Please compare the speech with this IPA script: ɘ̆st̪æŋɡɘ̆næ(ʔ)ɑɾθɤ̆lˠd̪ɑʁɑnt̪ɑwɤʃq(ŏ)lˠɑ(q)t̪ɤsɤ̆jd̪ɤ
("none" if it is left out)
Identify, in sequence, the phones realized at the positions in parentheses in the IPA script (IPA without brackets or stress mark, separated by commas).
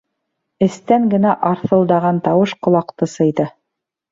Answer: ʔ, ŏ, q